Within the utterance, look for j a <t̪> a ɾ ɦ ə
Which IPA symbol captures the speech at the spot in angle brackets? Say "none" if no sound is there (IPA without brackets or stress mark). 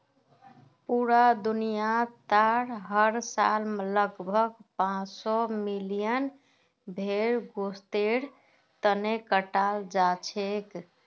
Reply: t̪